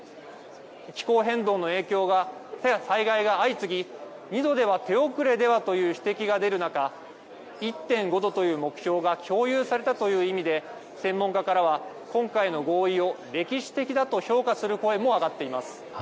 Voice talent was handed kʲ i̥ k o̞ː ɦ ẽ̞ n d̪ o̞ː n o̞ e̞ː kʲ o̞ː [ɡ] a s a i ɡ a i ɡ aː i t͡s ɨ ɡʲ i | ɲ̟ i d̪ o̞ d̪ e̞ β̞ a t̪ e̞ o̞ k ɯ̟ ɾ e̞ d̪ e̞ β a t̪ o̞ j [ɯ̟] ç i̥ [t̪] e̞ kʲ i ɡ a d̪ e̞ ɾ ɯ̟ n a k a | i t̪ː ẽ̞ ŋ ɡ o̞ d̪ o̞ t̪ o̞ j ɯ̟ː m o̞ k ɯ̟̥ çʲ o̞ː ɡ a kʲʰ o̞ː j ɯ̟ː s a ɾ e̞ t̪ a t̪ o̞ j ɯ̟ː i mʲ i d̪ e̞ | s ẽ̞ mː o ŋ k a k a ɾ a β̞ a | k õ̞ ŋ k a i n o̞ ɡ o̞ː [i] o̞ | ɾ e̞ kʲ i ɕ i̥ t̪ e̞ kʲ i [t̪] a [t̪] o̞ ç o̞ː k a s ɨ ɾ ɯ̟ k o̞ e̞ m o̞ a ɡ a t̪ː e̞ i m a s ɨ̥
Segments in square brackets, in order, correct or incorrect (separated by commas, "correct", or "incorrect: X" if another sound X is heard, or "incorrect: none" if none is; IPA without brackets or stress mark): correct, incorrect: ɯ̟ː, correct, correct, incorrect: d̪, correct